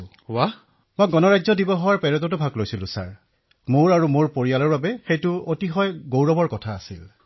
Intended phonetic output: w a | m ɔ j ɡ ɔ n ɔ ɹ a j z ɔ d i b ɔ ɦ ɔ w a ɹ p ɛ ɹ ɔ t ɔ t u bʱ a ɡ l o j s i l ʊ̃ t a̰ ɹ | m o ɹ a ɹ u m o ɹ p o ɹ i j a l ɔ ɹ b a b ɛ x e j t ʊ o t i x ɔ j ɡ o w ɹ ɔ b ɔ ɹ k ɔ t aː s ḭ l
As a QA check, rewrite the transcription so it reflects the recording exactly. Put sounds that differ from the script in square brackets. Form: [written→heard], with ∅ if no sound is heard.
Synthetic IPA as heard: w a | m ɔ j ɡ ɔ n ɔ ɹ a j z ɔ d i b ɔ ɦ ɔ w a ɹ p ɛ ɹ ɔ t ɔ t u bʱ a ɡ l o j s i l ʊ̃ [t→s] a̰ ɹ | m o ɹ a ɹ u m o ɹ p o ɹ i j a l ɔ ɹ b a b ɛ x e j t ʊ o t i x ɔ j ɡ o w ɹ ɔ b ɔ ɹ k ɔ [t→tʰ] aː s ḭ l

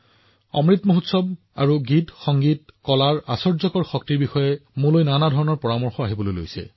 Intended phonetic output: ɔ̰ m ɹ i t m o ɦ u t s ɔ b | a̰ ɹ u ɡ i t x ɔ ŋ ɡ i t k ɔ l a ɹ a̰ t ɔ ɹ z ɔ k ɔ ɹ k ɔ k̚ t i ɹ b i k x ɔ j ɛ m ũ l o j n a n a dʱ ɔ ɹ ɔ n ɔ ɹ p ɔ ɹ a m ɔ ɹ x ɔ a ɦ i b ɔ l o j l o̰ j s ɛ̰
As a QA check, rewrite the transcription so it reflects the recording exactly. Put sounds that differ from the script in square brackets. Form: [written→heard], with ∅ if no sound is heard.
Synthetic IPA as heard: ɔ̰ m ɹ i t m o ɦ u t s ɔ b | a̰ ɹ u ɡ i t x ɔ ŋ ɡ i t k ɔ l a ɹ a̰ [t→s] ɔ ɹ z ɔ k ɔ ɹ [k→x] ɔ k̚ t i ɹ b i [k→∅] x ɔ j ɛ m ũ l o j n a n a dʱ ɔ ɹ ɔ n ɔ ɹ p ɔ ɹ a m ɔ ɹ x ɔ a ɦ i b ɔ l o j l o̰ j s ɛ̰

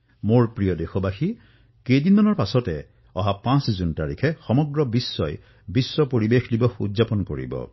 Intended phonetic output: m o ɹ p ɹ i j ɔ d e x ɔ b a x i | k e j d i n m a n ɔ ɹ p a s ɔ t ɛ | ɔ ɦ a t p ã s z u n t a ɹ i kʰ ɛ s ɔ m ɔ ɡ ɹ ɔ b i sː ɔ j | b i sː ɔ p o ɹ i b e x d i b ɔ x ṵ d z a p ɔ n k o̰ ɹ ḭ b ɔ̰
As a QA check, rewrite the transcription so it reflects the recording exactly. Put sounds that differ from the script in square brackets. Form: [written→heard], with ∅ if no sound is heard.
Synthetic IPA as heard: m o ɹ p ɹ i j ɔ d e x ɔ b a x i | k e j d i n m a n ɔ ɹ p a s ɔ t ɛ | ɔ ɦ a [t→∅] p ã s z u n t a ɹ i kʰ ɛ [s→x] ɔ m ɔ ɡ ɹ ɔ b i sː ɔ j | b i sː ɔ p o ɹ i b e x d i b ɔ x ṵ d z a p ɔ n k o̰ ɹ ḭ b ɔ̰

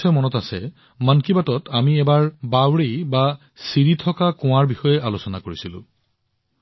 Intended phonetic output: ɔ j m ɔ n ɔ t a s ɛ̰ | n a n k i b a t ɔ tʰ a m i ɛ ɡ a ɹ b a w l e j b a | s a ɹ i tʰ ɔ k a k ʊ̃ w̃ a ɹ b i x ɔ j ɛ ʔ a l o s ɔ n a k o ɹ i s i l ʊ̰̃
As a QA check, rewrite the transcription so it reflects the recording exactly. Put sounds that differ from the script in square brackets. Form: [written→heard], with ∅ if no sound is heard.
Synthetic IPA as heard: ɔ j m ɔ n ɔ t a s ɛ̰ | [n→m] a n k i b a t ɔ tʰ a m i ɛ [ɡ→b] a ɹ b a w [l→ɹ] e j b a | s [a→i] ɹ i tʰ ɔ k a k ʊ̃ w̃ a ɹ b i x ɔ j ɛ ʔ a l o s ɔ n a k o ɹ i s i l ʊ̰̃

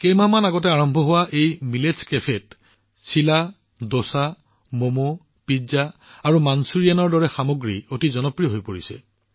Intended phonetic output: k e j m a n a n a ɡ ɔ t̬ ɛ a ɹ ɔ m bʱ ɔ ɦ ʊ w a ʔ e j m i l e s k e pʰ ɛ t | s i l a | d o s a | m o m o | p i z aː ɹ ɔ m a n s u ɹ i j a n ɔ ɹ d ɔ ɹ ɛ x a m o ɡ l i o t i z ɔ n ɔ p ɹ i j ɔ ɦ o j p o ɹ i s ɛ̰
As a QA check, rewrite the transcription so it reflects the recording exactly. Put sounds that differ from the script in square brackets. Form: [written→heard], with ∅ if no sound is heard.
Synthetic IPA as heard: k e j m a [n→m] a n a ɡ ɔ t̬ ɛ a ɹ ɔ m bʱ ɔ ɦ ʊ w a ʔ e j m i l e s k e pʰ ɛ t | s i l a | d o s a | m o m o | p i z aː ɹ [ɔ→u] m a n s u ɹ i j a n ɔ ɹ d ɔ ɹ ɛ x a m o ɡ [l→ɹ] i o t i z ɔ n ɔ p ɹ i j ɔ ɦ o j p o ɹ i s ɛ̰

